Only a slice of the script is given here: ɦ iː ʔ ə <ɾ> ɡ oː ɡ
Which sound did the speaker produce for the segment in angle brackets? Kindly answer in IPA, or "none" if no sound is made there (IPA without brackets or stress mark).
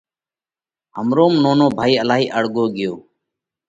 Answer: ɽ